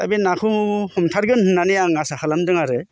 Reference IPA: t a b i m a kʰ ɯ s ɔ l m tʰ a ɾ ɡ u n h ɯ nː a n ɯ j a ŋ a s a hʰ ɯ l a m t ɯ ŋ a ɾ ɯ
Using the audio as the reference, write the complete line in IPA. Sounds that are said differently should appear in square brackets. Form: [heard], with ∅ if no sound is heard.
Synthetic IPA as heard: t a b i [n] a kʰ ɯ [h] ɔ [∅] m tʰ a ɾ ɡ [ɯ] n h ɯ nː a n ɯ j a ŋ a s a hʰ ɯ l a m [d] ɯ ŋ a ɾ ɯ